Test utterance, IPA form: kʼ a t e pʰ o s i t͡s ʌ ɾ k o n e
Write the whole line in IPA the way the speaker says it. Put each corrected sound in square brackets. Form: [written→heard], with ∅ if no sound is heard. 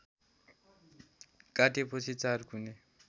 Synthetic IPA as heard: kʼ a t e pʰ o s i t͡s [ʌ→a] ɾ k [o→u] n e